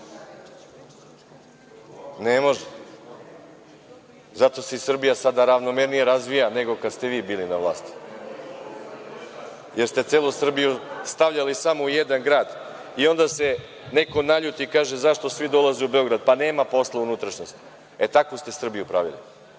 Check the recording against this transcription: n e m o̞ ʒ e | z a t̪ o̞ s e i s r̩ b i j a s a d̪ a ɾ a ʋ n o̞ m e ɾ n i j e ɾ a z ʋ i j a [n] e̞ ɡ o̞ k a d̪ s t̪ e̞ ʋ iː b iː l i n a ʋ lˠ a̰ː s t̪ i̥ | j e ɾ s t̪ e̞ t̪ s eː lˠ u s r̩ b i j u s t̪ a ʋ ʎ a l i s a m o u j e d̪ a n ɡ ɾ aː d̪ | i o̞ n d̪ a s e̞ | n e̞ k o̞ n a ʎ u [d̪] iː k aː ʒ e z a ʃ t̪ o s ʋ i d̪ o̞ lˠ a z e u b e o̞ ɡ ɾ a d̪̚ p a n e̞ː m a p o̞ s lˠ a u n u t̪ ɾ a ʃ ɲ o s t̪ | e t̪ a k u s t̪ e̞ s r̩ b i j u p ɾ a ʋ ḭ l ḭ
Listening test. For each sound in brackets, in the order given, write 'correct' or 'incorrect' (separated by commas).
correct, incorrect